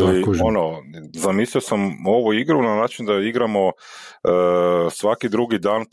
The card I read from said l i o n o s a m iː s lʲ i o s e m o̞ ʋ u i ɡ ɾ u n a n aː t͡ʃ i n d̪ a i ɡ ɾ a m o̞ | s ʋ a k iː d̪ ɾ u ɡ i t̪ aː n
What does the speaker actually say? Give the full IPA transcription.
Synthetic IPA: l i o n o z a m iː s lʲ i o s a m o̞ ʋ u i ɡ ɾ u n a n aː t͡ʃ i n d̪ a i ɡ ɾ a m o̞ | s ʋ a k i d̪ ɾ u ɡ i d̪ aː n